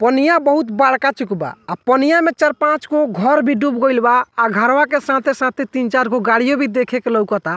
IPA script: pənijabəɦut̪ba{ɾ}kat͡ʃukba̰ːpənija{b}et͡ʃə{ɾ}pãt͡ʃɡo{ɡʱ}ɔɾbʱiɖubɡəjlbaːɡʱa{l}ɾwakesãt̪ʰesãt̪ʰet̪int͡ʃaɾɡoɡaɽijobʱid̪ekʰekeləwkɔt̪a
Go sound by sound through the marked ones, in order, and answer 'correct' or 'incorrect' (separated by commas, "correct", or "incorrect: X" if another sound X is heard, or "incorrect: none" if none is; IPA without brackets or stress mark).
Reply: incorrect: ɽ, incorrect: m, correct, correct, incorrect: none